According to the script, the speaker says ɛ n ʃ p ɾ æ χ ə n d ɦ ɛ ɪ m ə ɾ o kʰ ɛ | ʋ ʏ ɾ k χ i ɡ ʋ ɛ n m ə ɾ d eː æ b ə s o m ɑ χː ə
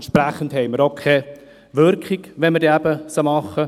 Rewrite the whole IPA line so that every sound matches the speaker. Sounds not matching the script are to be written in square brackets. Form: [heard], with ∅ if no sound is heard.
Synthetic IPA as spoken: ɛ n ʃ p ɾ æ χ ə n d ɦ ɛ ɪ m ə ɾ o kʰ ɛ | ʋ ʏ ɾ k χ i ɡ ʋ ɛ n m ə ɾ d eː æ b ə s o m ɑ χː ə